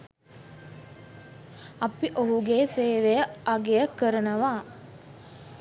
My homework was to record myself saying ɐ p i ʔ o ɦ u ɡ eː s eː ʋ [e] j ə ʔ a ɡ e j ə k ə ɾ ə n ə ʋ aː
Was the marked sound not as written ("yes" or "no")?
no